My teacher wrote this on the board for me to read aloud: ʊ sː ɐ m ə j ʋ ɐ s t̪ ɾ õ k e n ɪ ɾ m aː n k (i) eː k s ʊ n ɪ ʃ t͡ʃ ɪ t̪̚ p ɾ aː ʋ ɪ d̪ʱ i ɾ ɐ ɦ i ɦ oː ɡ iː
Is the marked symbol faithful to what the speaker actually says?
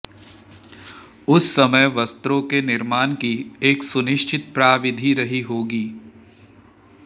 yes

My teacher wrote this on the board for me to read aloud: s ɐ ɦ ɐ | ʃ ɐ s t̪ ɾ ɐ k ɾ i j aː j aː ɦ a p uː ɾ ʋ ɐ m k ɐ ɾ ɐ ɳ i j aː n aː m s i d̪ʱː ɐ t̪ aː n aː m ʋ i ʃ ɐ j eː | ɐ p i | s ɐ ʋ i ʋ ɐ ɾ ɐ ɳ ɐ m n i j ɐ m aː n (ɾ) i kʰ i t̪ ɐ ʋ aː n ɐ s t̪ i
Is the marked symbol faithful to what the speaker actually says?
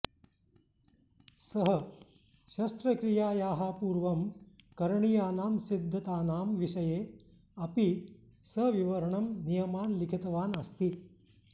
no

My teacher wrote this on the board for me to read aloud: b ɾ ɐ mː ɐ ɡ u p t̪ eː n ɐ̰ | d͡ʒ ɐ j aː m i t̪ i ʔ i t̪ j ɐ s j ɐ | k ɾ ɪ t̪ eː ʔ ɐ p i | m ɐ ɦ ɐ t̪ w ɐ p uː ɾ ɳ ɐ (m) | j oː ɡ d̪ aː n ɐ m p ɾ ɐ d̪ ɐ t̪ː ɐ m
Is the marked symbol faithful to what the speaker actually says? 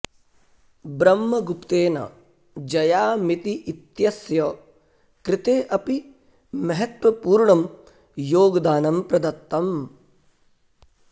yes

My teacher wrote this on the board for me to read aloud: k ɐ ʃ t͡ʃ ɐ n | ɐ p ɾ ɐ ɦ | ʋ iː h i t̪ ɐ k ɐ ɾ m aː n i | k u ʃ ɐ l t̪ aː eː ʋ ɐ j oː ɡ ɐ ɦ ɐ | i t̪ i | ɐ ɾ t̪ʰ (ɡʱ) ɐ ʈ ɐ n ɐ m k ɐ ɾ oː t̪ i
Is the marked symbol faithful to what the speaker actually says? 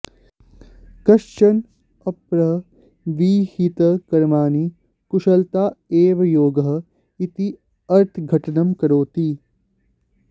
yes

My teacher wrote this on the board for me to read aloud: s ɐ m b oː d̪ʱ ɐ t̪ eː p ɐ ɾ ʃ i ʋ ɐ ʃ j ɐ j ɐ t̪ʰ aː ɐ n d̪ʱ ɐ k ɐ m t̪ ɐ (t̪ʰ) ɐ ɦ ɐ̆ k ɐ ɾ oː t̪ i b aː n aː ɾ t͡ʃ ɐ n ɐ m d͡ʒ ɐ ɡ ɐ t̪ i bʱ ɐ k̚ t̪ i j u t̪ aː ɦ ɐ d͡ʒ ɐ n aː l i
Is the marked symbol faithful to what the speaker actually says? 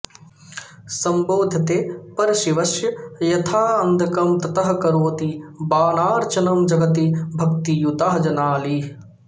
no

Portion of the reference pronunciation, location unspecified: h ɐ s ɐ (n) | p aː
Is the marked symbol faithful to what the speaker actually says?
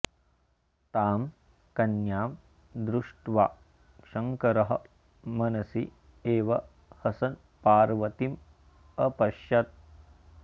yes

